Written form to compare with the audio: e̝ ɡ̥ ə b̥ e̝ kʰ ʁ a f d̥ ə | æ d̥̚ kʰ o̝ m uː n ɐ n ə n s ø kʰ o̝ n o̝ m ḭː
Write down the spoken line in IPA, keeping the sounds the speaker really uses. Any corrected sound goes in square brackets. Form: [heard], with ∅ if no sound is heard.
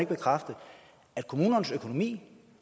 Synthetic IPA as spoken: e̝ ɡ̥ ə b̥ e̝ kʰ ʁ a f d̥ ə | æ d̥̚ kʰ o̝ m uː n ɐ n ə [∅] s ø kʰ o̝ n o̝ m ḭː